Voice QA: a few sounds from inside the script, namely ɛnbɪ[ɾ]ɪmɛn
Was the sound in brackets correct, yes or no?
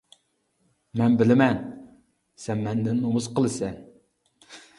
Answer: no